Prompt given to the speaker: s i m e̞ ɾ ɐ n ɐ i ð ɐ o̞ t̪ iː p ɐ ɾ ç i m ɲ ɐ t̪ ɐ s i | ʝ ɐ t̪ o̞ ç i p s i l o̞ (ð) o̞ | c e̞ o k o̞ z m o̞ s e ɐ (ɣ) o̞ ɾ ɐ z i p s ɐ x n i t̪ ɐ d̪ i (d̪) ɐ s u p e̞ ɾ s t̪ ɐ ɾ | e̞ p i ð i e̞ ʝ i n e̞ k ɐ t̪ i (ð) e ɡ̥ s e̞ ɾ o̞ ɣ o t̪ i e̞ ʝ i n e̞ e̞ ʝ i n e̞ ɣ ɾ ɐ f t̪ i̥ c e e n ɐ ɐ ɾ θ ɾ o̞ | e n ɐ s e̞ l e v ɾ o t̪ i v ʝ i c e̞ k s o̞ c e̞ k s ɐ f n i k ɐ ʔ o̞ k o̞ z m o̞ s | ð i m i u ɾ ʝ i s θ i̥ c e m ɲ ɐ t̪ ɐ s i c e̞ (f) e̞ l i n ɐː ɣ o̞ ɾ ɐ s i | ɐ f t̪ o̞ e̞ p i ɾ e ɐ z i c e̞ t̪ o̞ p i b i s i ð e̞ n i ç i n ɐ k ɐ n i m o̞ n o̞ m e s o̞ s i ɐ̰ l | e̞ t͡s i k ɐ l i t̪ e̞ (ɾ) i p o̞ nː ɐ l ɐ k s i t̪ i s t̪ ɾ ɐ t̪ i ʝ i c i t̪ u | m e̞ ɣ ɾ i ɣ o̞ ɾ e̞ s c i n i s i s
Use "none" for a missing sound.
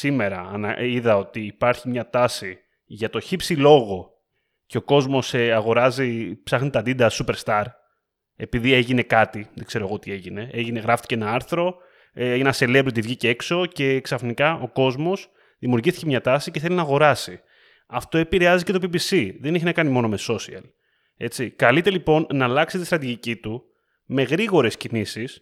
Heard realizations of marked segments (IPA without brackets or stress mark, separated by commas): ɣ, ɣ, d̪, ð, θ, l